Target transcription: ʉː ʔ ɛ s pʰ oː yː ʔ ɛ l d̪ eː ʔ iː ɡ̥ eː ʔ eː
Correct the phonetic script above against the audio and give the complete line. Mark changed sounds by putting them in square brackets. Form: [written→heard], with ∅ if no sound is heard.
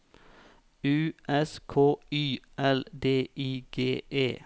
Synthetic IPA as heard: ʉː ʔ ɛ s [pʰ→kʰ] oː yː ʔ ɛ l d̪ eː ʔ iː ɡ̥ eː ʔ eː